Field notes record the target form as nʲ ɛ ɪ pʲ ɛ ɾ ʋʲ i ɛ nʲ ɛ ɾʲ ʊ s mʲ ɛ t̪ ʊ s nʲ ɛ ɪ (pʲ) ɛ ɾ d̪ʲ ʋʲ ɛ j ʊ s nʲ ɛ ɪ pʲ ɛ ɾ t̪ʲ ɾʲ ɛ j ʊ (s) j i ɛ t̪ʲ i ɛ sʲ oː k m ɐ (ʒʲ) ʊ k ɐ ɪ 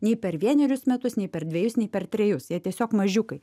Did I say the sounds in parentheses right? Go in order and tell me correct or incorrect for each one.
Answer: correct, correct, correct

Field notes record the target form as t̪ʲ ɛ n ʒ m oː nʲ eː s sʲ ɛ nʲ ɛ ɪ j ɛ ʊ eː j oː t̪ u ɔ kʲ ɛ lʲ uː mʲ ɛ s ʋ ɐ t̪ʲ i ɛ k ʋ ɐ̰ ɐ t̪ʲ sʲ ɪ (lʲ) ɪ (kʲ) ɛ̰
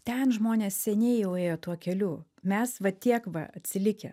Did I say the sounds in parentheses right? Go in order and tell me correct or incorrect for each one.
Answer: correct, correct

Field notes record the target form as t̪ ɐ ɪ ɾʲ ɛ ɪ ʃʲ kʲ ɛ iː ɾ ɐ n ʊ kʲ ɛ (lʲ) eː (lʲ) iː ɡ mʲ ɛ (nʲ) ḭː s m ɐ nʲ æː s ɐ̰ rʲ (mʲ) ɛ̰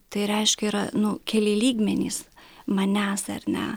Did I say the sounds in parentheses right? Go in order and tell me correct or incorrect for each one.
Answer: correct, correct, correct, incorrect: nʲ

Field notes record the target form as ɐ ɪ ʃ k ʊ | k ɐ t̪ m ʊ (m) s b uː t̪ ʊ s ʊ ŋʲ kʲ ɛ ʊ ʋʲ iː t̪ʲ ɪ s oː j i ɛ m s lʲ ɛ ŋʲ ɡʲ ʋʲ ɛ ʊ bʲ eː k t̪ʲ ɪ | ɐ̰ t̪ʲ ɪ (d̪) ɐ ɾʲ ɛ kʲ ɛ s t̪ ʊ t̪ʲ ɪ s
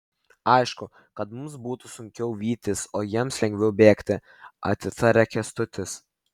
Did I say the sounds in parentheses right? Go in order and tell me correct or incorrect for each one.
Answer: correct, incorrect: t̪

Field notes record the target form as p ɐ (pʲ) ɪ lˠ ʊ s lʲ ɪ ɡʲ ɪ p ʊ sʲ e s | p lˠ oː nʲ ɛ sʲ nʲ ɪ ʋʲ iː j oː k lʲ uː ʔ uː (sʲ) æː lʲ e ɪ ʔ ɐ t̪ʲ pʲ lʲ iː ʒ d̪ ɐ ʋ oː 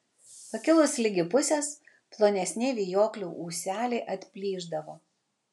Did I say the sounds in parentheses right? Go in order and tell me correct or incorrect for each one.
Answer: incorrect: kʲ, correct

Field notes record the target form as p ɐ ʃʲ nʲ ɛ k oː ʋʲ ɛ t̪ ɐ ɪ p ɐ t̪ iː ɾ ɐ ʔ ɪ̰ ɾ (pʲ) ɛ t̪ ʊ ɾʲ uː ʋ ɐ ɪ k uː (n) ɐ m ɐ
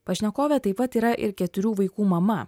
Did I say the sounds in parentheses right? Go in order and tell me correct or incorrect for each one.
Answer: incorrect: kʲ, incorrect: m

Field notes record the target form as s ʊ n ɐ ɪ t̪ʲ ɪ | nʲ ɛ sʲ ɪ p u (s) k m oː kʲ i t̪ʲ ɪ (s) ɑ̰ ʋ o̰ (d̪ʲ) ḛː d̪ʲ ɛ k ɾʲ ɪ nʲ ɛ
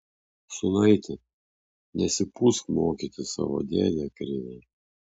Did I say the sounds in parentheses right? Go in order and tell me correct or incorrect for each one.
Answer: correct, correct, correct

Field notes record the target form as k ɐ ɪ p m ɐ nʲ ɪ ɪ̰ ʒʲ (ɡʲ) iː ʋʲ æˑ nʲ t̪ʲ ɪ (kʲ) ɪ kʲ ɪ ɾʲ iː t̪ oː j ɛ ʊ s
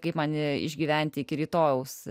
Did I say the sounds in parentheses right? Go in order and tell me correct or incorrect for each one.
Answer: correct, incorrect: none

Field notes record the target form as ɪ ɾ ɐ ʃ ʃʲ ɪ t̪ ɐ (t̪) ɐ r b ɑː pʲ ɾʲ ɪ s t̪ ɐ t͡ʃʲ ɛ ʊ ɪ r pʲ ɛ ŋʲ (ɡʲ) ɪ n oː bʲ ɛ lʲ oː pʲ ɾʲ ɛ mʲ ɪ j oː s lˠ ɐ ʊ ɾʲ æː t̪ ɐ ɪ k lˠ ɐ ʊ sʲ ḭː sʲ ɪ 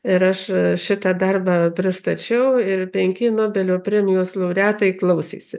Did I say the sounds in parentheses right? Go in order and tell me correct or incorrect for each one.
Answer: incorrect: d̪, incorrect: kʲ

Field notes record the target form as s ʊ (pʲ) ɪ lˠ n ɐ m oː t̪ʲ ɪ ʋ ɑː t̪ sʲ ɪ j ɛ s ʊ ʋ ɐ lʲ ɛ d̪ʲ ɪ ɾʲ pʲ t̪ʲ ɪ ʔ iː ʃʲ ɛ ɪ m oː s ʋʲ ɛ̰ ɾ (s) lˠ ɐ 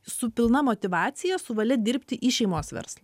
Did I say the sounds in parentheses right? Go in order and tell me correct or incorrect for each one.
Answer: correct, correct

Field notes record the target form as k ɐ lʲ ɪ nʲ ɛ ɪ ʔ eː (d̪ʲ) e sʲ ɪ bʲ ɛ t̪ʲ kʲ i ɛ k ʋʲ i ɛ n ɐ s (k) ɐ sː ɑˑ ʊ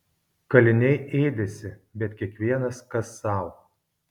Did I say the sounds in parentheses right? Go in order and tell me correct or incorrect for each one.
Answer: correct, correct

